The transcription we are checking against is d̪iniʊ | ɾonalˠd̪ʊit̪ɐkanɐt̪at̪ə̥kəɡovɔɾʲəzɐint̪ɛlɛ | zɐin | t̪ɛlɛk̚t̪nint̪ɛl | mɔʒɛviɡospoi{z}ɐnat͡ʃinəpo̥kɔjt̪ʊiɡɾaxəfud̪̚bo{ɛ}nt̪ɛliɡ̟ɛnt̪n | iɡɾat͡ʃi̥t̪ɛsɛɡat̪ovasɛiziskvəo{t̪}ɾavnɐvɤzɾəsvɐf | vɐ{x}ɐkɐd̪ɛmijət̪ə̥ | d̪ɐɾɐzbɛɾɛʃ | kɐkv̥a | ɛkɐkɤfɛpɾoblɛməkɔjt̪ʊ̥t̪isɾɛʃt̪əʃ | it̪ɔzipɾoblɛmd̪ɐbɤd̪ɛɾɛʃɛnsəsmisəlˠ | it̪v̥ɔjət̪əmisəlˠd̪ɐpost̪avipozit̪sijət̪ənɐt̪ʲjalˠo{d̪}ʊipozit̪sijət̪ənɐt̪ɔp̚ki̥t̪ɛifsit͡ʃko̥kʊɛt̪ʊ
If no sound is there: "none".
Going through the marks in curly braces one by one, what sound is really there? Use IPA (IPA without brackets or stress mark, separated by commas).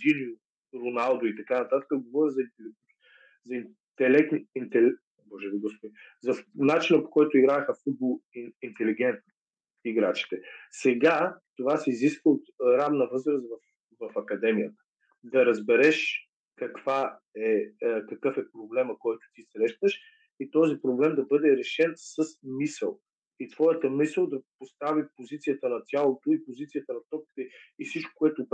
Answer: z, i, t̪, f, t̪